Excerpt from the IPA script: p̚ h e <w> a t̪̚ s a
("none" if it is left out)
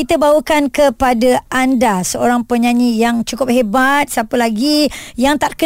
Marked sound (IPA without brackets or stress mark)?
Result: b